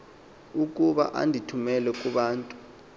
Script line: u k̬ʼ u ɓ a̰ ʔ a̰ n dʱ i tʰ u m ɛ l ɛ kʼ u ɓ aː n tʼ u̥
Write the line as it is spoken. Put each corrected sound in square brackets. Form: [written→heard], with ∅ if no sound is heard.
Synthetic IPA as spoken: u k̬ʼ u ɓ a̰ ʔ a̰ n dʱ i tʰ u m ɛ l ɛ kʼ u ɓ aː n tʼ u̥